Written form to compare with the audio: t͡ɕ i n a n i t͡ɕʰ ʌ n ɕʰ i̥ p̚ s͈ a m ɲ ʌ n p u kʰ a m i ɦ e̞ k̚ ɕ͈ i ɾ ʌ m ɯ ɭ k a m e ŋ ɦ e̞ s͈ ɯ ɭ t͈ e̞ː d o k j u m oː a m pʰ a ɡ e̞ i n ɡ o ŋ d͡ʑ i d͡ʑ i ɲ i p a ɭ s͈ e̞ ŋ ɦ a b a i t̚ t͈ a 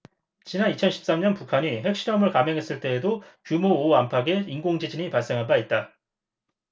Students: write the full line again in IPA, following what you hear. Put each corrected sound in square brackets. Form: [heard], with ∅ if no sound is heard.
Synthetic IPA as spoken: t͡ɕ i n a n i t͡ɕʰ ʌ n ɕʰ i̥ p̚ s͈ a m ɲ ʌ n p u kʰ a [ɲ] i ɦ e̞ k̚ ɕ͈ i ɾ ʌ m ɯ ɭ k a m e ŋ ɦ e̞ s͈ ɯ ɭ t͈ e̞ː d o k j u m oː a m pʰ a ɡ e̞ i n ɡ o ŋ d͡ʑ i d͡ʑ i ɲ i p a ɭ s͈ e̞ ŋ ɦ a b a i t̚ t͈ a